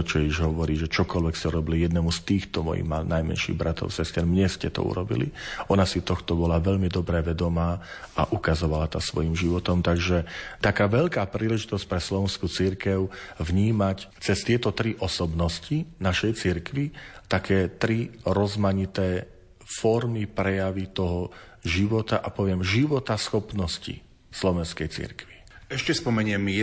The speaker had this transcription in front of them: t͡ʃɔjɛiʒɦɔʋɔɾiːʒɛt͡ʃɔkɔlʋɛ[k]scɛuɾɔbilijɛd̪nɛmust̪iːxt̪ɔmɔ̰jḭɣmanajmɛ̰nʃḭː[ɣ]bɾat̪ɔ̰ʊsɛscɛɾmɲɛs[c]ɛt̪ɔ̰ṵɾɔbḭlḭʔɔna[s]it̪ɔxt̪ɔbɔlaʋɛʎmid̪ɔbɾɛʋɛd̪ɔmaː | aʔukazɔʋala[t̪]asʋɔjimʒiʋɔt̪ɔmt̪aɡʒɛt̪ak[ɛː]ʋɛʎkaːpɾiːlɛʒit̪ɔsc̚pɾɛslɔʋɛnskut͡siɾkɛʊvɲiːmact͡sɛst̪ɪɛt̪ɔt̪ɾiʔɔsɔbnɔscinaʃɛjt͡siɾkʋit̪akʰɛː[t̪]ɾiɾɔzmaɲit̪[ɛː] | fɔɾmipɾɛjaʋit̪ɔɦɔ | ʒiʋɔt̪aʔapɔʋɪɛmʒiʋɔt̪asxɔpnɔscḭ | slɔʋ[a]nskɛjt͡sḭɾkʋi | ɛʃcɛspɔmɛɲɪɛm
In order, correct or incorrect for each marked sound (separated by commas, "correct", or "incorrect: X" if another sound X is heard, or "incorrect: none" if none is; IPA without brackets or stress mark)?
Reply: correct, correct, correct, correct, correct, incorrect: aː, correct, correct, incorrect: ɛ